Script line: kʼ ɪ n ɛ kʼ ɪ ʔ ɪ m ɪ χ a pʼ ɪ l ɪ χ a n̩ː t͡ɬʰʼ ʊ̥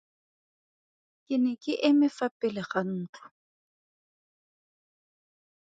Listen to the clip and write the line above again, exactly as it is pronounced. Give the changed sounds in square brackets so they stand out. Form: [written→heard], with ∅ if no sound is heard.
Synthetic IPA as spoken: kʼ ɪ n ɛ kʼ ɪ ʔ ɪ m ɪ [χ→f] a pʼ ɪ l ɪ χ a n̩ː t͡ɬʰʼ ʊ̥